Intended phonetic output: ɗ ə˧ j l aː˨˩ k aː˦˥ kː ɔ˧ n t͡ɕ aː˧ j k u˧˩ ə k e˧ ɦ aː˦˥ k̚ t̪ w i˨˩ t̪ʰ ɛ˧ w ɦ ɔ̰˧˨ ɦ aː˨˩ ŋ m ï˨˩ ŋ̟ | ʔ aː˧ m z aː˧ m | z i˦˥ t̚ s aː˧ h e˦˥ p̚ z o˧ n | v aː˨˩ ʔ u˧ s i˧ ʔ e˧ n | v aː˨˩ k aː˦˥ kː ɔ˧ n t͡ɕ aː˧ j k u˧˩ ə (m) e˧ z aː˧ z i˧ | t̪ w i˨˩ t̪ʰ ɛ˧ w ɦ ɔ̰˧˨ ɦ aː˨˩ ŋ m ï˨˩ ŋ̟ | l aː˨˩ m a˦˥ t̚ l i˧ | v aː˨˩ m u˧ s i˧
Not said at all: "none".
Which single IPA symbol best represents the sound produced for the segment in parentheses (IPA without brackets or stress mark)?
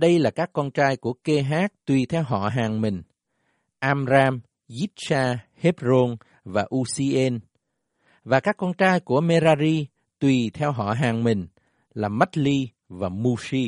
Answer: m